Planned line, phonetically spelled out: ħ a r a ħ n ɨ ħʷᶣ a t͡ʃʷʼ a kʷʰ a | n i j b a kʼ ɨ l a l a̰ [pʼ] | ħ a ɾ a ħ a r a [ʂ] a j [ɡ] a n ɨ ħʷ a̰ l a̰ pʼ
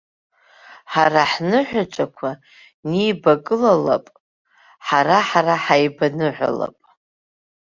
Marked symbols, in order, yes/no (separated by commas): yes, no, no